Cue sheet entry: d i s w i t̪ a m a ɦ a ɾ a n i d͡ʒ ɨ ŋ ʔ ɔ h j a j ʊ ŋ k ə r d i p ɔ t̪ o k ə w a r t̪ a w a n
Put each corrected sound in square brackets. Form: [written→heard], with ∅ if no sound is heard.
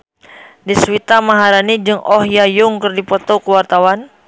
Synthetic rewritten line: d i s w i t̪ a m a ɦ a ɾ a n i d͡ʒ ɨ ŋ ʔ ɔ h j a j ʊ ŋ k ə r d i p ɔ t̪ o k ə w a r t̪ a w a n